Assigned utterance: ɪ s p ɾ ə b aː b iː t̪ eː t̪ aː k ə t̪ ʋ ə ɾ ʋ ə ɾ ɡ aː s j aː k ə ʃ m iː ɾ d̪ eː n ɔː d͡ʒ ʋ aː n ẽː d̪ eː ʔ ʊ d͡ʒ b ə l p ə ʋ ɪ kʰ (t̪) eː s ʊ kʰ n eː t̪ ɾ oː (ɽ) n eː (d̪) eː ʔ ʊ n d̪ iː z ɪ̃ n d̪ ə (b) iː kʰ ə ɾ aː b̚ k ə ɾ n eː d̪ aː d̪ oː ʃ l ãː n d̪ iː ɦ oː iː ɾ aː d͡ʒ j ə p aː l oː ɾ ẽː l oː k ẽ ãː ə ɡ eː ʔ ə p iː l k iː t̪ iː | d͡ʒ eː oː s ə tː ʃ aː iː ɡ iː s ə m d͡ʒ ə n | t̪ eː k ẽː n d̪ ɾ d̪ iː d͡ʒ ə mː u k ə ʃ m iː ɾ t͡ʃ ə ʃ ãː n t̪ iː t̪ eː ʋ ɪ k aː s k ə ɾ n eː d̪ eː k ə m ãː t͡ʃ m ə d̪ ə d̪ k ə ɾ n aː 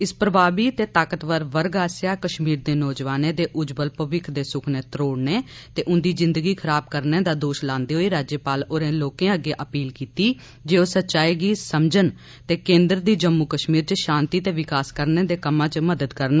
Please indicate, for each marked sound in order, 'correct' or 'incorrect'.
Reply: incorrect: d̪, correct, incorrect: t̪, incorrect: ɡ

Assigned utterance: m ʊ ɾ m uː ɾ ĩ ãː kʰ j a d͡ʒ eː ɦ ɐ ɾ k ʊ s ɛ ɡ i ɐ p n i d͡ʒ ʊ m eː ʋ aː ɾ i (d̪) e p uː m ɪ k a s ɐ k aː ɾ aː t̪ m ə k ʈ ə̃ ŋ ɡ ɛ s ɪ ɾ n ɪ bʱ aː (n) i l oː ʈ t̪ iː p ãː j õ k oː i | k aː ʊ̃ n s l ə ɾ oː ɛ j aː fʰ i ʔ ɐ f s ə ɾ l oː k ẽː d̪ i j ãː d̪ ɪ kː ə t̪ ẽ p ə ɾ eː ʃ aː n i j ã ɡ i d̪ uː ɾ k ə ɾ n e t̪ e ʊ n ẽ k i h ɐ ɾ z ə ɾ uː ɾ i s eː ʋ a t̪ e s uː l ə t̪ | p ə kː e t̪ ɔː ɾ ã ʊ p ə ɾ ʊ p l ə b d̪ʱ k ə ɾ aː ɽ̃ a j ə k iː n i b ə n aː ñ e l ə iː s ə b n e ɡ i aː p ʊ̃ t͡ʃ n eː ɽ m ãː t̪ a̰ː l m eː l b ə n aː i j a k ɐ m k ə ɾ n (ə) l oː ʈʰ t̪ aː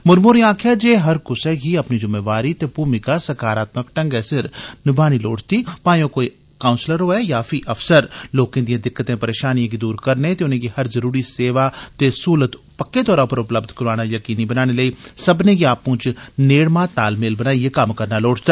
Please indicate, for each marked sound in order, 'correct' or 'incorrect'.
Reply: incorrect: t̪, correct, incorrect: a

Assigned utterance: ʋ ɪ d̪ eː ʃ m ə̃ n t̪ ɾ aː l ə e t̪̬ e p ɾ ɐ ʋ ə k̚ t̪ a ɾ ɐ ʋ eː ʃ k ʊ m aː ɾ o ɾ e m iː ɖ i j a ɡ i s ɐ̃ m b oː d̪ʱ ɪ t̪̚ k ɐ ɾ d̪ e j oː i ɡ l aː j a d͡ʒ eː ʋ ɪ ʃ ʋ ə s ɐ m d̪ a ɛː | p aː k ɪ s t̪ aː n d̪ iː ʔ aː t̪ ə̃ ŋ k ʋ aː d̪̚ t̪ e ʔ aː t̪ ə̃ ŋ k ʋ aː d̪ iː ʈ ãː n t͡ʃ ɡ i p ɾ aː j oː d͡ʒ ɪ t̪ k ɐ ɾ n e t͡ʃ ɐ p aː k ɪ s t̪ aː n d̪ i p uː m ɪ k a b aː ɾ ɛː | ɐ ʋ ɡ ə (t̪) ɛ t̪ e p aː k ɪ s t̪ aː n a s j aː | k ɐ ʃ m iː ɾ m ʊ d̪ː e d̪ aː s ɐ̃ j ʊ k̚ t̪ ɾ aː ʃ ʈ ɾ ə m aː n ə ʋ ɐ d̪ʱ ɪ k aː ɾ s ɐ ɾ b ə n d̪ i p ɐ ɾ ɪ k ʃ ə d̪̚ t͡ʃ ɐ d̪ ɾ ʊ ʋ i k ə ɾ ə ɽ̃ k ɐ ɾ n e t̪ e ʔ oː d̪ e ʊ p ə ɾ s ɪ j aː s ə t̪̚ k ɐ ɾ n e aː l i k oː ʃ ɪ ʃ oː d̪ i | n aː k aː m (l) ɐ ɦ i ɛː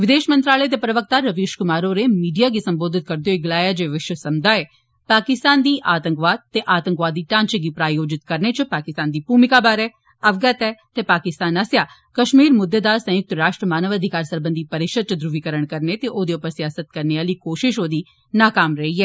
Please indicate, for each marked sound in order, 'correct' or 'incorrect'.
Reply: correct, incorrect: ɾ

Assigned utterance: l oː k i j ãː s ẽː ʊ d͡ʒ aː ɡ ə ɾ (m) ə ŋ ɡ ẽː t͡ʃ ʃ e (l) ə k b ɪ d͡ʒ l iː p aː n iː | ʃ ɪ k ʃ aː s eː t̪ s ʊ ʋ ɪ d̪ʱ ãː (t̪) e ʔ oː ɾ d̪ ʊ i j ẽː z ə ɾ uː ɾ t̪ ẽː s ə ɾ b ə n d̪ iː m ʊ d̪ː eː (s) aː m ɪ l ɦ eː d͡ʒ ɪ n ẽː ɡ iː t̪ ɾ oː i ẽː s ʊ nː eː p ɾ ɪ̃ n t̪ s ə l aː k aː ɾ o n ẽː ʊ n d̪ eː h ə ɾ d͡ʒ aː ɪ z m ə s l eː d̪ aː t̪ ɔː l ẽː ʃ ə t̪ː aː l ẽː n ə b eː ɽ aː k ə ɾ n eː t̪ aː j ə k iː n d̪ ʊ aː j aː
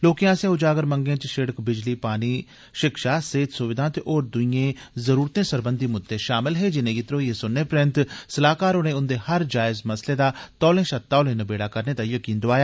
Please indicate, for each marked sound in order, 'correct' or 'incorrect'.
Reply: correct, incorrect: ɽ, correct, incorrect: ʃ

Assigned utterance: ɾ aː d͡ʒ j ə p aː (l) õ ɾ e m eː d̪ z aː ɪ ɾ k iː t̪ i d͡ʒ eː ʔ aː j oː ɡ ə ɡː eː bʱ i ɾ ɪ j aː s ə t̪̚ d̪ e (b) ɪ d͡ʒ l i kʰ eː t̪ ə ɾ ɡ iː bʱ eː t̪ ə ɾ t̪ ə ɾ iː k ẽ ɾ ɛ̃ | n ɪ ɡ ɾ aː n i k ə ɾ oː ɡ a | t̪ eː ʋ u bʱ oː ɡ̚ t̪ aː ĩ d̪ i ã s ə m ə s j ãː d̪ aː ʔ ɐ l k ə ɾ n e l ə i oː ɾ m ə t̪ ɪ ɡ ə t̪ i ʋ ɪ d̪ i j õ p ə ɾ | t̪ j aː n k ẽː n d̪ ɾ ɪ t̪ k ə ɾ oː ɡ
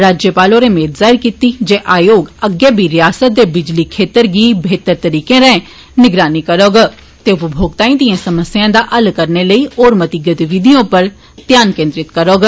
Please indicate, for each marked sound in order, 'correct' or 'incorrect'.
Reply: correct, correct

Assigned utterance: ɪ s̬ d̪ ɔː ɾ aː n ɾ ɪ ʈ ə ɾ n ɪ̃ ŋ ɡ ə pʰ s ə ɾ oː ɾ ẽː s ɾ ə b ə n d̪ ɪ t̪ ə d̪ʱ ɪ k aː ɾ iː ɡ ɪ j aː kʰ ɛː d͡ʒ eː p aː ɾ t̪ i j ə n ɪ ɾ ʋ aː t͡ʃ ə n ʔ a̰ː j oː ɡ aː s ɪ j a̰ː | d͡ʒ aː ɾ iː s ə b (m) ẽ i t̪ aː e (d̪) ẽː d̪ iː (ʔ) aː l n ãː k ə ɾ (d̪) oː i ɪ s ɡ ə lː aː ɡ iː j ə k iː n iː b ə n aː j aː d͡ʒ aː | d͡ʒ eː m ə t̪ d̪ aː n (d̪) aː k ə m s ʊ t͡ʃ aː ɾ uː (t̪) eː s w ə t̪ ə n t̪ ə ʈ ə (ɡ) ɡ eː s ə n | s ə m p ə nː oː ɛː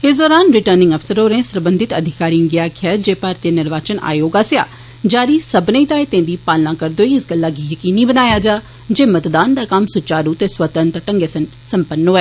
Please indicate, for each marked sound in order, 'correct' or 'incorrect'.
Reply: incorrect: n, incorrect: t̪, incorrect: p, correct, correct, correct, incorrect: ŋ

